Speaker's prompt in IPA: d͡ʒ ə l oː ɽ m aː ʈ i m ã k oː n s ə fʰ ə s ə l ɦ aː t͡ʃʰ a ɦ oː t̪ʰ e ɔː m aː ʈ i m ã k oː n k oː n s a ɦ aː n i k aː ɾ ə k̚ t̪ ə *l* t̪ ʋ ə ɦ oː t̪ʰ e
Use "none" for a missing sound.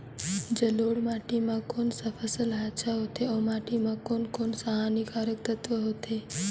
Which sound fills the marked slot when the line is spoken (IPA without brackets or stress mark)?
none